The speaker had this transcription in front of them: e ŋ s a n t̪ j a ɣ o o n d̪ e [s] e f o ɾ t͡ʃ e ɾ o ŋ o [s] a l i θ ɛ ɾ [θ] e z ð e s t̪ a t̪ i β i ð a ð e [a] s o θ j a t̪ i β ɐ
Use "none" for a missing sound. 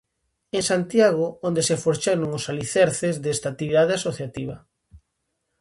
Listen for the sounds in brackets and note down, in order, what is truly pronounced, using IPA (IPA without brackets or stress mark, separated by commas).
s, s, θ, a